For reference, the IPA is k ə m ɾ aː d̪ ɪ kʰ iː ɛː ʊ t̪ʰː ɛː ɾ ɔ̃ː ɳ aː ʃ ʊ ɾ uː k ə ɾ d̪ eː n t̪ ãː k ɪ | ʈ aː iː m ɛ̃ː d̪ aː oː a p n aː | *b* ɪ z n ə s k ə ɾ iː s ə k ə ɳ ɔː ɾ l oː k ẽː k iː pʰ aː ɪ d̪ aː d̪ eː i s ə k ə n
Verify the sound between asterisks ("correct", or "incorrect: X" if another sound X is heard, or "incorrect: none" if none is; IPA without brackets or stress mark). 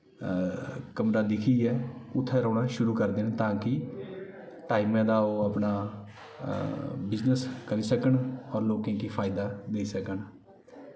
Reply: correct